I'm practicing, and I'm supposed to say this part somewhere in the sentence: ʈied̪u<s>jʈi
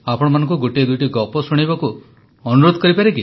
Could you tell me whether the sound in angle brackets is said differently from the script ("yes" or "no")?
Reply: yes